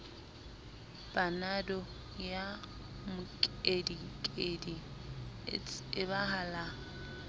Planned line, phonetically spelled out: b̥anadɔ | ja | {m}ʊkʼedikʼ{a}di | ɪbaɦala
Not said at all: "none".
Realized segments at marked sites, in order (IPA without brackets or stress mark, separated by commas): m, e